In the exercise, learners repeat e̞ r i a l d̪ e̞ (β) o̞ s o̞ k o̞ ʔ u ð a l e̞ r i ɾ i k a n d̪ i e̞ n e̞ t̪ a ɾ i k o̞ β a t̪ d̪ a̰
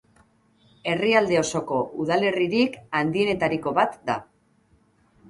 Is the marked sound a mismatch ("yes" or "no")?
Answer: yes